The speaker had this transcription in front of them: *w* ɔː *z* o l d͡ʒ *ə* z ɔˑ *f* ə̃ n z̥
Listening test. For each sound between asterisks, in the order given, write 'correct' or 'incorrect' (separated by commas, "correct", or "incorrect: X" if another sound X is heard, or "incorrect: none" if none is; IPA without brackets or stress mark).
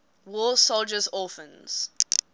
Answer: correct, incorrect: s, correct, correct